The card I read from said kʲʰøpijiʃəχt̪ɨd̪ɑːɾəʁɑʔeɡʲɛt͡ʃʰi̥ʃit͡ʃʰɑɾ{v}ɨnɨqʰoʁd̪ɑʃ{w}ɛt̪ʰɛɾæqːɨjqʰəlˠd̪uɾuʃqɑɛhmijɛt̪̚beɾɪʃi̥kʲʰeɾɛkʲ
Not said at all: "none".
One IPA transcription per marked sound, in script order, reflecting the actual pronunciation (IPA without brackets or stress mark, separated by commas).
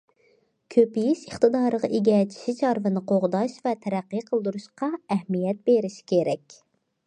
v, v